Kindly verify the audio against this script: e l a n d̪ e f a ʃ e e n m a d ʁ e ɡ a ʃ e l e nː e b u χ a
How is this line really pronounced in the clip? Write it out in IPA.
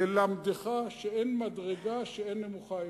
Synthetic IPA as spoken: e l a m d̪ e χ a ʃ e e n m a d ʁ e ɡ a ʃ e e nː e m u χ a